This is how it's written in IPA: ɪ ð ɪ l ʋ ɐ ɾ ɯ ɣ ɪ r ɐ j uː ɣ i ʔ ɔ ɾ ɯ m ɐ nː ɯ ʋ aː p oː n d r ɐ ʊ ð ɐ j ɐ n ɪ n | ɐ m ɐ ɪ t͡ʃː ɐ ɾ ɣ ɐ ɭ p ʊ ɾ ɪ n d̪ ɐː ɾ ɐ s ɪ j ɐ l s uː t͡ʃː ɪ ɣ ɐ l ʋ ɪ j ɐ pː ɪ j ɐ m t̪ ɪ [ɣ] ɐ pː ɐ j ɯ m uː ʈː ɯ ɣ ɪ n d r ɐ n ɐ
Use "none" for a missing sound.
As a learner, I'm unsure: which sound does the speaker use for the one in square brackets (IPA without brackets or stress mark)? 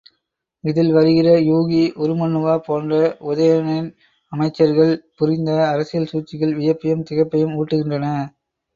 ɣ